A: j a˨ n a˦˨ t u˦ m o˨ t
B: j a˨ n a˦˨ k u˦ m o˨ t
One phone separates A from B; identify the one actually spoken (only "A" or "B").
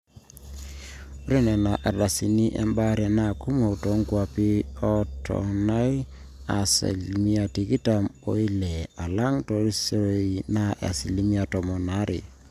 B